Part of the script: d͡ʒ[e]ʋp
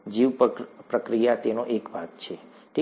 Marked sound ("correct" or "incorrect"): incorrect